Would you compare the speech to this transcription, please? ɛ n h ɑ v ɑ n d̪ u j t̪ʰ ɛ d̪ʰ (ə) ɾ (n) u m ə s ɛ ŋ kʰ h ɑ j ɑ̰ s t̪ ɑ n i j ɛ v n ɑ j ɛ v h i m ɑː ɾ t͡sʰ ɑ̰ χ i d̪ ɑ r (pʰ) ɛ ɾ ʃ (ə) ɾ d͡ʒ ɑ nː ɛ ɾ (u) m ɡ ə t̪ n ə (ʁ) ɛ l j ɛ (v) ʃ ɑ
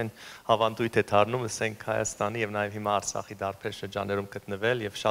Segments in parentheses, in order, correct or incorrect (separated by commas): incorrect, correct, correct, correct, correct, incorrect, correct